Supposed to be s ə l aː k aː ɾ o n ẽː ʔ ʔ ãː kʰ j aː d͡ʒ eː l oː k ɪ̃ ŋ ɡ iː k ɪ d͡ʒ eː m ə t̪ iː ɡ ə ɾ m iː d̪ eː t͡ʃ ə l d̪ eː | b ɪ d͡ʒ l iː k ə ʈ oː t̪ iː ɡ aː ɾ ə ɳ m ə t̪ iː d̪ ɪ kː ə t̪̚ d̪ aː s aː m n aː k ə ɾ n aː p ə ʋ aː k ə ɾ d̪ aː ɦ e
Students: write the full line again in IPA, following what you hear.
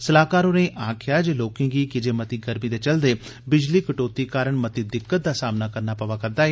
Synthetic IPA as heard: s ə l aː k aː ɾ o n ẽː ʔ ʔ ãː kʰ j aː d͡ʒ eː l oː k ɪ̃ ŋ ɡ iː k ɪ d͡ʒ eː m ə t̪ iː ɡ ə ɾ m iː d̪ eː t͡ʃ ə l d̪ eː | b ɪ d͡ʒ l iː k ə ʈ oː t̪ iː k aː ɾ ə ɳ m ə t̪ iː d̪ ɪ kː ə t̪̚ d̪ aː s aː m n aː k ə ɾ n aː p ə ʋ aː k ə ɾ d̪ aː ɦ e